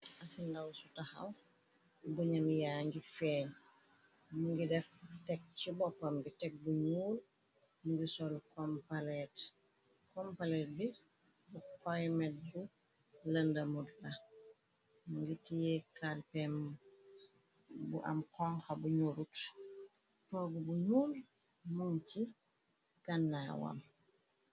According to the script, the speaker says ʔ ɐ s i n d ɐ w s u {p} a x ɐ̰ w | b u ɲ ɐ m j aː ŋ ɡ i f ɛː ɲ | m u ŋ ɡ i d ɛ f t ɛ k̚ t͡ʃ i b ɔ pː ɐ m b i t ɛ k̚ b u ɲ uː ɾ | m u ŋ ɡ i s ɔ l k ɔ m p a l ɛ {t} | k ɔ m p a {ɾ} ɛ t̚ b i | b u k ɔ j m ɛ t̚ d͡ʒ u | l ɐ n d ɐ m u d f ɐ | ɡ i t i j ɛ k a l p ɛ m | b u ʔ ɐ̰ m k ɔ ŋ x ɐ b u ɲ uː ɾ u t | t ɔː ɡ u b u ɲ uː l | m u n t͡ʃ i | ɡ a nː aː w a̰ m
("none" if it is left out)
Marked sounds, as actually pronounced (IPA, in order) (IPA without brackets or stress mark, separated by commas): t, t, l